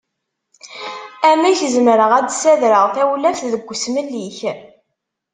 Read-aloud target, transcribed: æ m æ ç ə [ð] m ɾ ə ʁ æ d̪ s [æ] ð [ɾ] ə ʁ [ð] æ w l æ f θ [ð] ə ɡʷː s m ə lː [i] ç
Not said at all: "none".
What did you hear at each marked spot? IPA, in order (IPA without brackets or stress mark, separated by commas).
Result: z, æ, ɾ, θ, ð, i